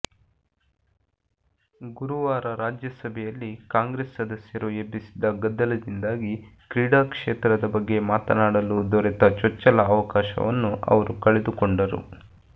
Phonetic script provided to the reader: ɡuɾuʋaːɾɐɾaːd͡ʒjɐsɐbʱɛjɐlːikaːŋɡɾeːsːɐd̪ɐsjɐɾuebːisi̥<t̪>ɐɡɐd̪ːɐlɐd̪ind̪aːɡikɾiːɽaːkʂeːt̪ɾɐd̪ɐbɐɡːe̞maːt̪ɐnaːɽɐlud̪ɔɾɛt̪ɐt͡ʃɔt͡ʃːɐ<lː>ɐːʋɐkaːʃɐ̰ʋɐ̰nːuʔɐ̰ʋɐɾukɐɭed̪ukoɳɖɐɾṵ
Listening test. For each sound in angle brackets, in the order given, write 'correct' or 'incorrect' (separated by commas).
incorrect, incorrect